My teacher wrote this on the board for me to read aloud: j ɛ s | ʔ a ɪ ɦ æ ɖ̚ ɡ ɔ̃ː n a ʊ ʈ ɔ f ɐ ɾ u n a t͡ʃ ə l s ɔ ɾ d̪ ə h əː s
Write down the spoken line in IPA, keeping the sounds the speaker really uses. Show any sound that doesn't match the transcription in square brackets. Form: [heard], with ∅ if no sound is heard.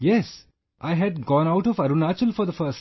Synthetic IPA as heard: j ɛ s | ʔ a ɪ ɦ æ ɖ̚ ɡ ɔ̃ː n a ʊ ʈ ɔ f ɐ ɾ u n a t͡ʃ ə l [f] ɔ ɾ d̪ ə [f] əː s